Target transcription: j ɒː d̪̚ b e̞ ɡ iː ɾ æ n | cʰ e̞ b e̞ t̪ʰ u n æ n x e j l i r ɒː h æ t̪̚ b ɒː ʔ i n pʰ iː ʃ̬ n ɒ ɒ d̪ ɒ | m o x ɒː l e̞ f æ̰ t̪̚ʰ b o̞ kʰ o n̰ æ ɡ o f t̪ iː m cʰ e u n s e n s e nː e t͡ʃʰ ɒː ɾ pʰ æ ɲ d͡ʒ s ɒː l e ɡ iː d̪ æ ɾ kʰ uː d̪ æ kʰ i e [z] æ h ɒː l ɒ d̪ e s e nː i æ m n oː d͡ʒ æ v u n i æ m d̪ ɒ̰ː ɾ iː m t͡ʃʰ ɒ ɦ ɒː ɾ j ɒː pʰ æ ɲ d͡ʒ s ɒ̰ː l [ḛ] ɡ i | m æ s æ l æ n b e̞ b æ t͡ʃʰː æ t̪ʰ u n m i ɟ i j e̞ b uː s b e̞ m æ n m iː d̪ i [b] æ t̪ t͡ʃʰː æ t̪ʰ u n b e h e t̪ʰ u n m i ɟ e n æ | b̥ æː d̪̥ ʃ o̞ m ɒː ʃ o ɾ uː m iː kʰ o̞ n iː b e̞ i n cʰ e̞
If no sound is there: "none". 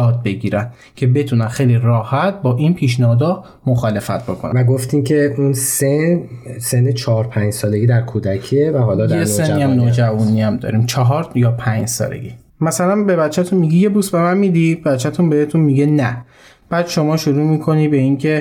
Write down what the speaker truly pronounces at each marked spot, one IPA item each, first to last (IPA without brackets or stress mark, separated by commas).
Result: v, ḛ, b